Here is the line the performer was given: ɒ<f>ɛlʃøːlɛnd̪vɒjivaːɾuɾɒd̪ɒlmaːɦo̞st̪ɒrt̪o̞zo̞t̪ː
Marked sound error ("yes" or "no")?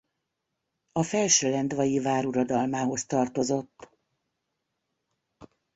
no